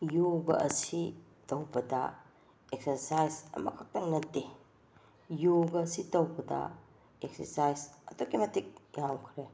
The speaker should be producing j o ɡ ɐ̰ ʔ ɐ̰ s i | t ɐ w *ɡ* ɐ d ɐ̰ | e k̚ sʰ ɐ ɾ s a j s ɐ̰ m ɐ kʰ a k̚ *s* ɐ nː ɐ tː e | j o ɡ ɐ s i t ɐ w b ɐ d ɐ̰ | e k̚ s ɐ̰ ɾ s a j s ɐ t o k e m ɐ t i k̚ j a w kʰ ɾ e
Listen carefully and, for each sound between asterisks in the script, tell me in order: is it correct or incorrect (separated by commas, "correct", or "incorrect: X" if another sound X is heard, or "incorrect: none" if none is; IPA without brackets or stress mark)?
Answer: incorrect: b, incorrect: t